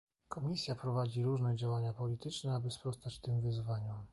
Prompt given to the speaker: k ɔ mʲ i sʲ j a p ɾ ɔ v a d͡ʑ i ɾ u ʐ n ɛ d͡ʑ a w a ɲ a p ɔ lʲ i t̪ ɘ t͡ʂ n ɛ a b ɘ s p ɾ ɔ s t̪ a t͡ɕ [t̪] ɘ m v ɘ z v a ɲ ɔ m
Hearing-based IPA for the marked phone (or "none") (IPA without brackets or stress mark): t̪